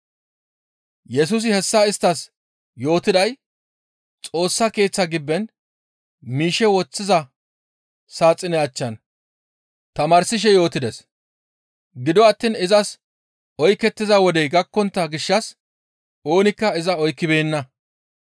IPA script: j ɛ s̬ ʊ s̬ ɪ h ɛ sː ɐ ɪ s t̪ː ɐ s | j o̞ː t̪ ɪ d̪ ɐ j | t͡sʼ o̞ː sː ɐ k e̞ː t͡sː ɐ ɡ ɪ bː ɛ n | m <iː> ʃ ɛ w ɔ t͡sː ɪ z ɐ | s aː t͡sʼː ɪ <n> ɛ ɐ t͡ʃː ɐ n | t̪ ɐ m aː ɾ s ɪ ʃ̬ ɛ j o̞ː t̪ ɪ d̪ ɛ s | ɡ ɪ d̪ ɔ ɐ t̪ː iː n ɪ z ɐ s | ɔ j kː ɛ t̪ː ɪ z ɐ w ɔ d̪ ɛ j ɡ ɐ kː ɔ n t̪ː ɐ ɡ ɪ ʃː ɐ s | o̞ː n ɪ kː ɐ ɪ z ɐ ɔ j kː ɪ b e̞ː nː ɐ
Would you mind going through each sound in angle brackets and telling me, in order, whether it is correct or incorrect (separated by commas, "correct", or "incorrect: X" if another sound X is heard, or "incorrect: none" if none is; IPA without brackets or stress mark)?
correct, correct